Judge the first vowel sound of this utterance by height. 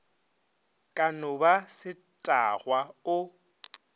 low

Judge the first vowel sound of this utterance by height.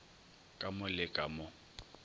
low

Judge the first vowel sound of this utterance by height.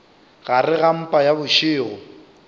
low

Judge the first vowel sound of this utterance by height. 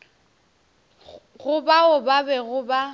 high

